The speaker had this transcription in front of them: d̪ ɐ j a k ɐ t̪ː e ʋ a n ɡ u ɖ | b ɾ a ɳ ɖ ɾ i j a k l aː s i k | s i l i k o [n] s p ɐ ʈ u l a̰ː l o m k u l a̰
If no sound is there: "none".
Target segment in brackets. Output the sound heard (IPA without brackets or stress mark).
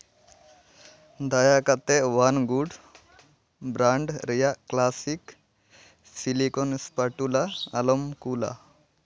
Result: n